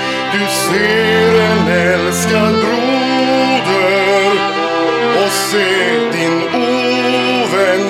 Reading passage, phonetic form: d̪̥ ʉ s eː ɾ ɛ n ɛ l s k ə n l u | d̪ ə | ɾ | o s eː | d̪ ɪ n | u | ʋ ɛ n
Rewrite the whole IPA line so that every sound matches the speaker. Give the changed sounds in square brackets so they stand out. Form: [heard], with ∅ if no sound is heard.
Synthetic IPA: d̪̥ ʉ s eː ɾ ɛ n ɛ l s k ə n [ɾ] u | d̪ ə | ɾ | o s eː | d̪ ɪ n | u | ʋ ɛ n